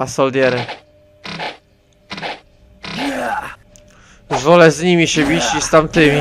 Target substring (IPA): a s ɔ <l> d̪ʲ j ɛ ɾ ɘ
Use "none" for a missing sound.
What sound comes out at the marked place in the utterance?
l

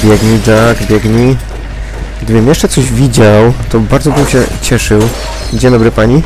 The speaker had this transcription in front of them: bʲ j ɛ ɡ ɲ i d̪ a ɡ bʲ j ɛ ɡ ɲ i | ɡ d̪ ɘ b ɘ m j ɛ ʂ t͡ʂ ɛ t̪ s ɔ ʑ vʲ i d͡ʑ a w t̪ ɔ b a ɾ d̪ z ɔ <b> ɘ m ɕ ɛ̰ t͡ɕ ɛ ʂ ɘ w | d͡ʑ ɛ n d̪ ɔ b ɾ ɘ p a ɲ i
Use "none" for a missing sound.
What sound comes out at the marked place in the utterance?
b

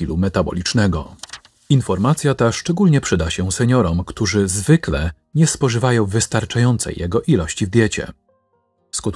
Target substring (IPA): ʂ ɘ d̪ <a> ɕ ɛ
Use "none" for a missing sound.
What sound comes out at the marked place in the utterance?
a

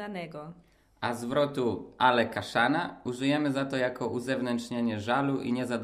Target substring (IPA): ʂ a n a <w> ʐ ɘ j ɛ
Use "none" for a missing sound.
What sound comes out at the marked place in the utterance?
u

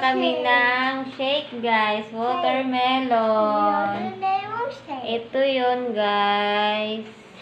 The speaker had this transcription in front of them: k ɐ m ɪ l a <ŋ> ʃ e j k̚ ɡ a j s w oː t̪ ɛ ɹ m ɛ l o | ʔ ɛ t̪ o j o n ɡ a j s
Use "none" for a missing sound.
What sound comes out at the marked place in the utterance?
ŋ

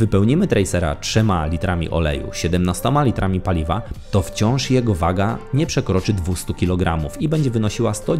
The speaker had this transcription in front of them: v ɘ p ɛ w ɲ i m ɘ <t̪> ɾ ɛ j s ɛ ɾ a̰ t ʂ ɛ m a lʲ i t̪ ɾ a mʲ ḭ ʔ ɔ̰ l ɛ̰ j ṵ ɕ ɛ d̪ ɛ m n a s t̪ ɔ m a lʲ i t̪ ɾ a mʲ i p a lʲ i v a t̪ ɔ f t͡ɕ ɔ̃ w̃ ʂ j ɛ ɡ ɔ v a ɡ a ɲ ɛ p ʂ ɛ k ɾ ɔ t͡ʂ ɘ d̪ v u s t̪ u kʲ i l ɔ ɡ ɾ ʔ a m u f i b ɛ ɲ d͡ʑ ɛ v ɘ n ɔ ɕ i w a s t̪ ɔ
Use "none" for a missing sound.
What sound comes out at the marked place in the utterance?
t̪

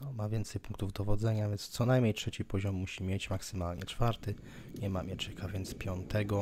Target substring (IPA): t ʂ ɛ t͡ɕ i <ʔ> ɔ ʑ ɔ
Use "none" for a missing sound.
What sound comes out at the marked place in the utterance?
p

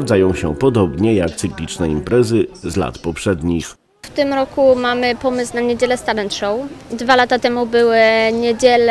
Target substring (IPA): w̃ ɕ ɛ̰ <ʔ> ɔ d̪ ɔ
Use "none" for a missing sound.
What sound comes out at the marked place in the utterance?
p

